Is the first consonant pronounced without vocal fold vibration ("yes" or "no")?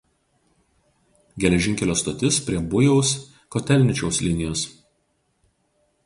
no